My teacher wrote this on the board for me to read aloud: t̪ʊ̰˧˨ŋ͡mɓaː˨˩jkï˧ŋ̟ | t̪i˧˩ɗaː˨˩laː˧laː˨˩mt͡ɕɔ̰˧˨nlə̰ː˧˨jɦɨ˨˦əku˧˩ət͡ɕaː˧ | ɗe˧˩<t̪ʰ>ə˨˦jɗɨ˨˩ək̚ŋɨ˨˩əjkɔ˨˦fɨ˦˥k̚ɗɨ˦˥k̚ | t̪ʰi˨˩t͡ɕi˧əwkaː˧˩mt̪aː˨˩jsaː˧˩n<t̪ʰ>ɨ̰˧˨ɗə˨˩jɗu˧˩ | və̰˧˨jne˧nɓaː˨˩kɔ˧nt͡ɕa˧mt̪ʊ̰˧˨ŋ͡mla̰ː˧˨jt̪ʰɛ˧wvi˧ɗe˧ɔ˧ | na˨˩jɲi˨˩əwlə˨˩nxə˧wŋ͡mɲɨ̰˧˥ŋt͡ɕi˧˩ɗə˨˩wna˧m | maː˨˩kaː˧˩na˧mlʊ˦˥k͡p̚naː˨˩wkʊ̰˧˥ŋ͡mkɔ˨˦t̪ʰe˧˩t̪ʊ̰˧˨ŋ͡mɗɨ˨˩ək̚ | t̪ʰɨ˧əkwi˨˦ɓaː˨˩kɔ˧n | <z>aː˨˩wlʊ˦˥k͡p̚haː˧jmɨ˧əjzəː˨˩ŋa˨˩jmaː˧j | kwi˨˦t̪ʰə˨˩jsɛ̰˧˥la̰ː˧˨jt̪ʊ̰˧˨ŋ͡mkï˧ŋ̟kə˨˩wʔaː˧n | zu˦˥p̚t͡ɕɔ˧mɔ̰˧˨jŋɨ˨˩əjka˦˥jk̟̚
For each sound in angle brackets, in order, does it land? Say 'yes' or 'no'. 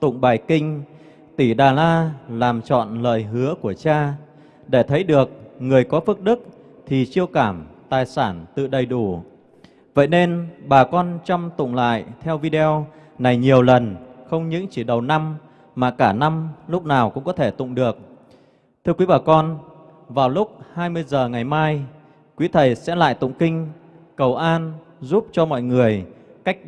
yes, no, no

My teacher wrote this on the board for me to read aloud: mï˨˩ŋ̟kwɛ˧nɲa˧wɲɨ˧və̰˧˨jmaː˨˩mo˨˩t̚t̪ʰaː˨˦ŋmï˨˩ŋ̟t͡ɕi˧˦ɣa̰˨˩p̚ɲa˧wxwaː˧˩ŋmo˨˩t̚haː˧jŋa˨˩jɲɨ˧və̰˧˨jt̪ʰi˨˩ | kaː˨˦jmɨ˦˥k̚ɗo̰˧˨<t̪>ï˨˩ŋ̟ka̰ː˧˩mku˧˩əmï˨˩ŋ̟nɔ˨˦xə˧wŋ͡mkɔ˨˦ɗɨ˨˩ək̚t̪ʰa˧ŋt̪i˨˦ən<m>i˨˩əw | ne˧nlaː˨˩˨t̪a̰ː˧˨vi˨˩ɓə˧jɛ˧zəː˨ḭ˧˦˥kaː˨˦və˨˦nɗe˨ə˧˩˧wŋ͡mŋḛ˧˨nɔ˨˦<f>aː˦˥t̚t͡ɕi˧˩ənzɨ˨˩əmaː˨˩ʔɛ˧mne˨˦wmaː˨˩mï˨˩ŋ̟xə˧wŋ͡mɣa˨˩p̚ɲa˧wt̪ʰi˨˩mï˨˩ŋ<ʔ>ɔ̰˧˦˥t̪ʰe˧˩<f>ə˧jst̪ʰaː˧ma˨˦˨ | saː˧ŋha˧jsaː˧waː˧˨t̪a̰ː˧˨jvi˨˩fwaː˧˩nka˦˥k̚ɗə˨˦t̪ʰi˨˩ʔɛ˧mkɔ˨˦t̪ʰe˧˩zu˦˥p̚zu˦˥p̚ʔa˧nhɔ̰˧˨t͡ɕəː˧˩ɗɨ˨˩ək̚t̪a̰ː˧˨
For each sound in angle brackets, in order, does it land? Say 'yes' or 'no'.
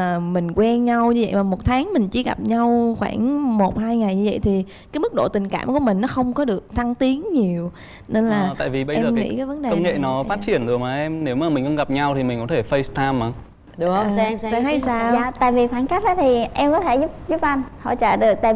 yes, no, yes, no, yes

